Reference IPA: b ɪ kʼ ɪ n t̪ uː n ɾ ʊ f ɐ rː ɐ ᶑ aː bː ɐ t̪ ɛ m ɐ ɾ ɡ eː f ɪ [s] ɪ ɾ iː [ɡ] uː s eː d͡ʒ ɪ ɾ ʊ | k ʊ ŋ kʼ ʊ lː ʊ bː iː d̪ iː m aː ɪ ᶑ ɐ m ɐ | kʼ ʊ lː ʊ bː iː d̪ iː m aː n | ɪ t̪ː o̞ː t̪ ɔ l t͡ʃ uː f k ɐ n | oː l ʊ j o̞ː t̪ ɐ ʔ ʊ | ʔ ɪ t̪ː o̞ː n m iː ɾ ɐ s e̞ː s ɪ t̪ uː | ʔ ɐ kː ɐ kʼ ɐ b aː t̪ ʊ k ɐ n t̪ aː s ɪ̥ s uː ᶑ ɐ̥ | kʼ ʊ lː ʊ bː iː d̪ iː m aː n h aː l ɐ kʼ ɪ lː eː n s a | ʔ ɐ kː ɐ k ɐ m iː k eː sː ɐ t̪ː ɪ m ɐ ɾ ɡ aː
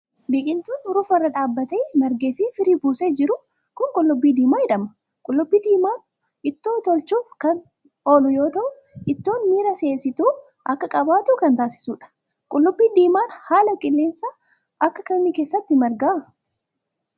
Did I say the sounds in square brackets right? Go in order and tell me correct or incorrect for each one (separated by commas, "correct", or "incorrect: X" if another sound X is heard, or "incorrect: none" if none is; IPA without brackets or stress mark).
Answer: incorrect: f, incorrect: b